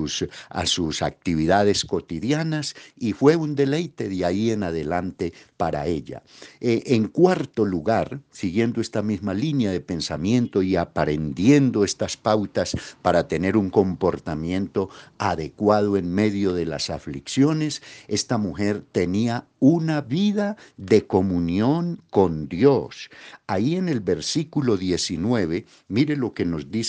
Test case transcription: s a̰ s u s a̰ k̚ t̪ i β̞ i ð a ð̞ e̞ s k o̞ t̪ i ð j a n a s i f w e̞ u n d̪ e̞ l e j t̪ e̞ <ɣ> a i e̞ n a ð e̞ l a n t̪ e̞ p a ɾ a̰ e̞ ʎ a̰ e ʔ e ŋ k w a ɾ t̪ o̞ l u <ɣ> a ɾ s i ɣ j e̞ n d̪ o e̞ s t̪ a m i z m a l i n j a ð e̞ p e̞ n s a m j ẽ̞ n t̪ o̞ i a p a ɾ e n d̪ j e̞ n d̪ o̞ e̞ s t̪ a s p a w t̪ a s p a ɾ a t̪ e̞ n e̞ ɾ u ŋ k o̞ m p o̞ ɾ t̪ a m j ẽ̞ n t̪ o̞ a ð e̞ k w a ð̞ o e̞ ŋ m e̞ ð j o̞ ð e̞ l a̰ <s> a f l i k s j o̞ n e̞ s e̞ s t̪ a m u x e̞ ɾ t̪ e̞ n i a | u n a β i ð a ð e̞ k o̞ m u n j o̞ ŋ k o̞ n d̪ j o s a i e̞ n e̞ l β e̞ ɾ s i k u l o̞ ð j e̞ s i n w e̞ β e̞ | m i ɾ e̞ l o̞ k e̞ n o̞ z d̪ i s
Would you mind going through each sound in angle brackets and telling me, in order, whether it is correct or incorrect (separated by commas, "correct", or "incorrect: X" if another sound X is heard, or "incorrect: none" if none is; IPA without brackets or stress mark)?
incorrect: ð, correct, correct